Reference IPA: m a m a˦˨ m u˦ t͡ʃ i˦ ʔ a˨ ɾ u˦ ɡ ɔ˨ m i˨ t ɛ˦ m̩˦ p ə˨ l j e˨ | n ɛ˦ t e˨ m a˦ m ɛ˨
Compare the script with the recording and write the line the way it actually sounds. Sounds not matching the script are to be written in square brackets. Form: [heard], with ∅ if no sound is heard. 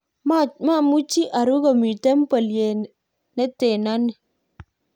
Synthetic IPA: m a m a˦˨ m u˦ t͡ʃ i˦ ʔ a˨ ɾ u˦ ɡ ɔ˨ m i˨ t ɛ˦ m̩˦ p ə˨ l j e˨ | n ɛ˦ t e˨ [n] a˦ [n] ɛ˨